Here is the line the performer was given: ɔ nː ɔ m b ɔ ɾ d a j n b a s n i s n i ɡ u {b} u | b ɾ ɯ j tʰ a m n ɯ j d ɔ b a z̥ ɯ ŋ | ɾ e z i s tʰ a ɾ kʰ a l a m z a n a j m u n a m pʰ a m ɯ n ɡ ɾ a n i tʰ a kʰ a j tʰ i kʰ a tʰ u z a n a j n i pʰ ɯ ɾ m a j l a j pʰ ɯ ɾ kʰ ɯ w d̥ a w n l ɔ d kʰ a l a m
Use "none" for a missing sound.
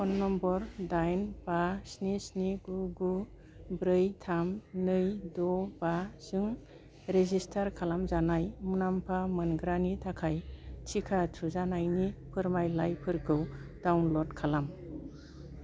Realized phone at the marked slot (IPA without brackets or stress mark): ɡ